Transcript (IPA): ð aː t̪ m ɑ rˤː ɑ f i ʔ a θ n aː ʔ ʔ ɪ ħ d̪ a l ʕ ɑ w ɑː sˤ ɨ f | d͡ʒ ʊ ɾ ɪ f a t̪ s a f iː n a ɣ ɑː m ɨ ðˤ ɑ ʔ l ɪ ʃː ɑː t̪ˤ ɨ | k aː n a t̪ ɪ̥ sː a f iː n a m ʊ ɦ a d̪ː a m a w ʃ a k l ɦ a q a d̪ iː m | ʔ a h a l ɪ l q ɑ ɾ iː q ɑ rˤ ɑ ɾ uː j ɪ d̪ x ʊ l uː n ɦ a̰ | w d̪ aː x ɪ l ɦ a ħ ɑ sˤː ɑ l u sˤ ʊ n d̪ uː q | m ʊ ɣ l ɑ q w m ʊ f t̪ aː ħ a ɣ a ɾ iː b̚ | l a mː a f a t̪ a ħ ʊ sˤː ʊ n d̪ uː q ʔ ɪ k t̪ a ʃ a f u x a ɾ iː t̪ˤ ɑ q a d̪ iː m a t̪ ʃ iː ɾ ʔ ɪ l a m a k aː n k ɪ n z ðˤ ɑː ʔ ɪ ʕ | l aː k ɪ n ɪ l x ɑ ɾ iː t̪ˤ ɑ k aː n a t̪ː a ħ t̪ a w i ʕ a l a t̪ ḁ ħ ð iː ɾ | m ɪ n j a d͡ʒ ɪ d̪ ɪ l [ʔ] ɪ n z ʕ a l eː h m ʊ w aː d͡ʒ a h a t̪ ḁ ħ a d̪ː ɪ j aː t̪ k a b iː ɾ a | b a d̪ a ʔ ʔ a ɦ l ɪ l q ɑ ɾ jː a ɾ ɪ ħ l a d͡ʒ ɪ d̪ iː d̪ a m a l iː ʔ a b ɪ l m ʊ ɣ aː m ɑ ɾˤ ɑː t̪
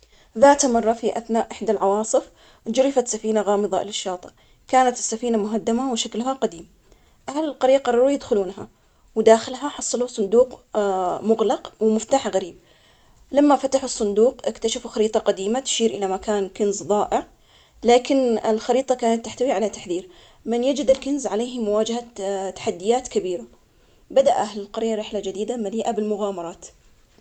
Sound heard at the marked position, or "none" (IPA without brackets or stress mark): k